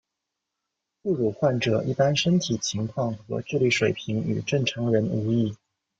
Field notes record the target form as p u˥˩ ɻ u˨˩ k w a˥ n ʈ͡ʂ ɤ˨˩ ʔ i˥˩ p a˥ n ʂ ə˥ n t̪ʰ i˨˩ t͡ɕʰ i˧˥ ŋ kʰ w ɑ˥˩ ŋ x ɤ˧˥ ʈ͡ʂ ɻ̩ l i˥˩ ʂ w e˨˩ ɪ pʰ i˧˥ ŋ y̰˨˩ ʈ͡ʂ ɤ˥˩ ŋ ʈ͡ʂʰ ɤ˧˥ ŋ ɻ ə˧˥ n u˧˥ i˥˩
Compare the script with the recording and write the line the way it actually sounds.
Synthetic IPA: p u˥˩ ɻ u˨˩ x w a˥˩ n ʈ͡ʂ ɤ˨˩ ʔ i˥˩ p a˥ n ʂ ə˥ n t̪ʰ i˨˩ t͡ɕʰ i˧˥ ŋ kʰ w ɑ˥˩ ŋ x ɤ˧˥ ʈ͡ʂ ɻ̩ l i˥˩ ʂ w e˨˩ ɪ pʰ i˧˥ ŋ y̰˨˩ ʈ͡ʂ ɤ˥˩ ŋ ʈ͡ʂʰ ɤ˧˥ ŋ ɻ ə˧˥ n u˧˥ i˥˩